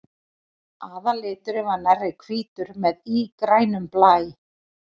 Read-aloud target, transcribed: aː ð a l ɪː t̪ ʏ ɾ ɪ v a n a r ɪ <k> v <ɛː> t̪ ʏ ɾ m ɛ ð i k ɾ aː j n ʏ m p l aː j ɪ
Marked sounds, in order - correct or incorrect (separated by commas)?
incorrect, incorrect